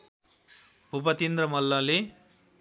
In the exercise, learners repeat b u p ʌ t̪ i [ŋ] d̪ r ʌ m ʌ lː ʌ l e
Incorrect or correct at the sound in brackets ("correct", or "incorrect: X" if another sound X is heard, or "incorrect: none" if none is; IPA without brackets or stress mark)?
incorrect: n